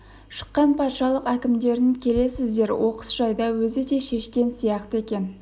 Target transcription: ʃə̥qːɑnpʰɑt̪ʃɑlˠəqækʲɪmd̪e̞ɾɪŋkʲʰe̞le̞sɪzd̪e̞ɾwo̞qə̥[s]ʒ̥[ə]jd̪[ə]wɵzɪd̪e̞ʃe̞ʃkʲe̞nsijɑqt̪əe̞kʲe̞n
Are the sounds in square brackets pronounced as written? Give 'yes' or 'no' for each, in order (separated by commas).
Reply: yes, no, no